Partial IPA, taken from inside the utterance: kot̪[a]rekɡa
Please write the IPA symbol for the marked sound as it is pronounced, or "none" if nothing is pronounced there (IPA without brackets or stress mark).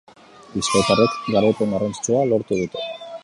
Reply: a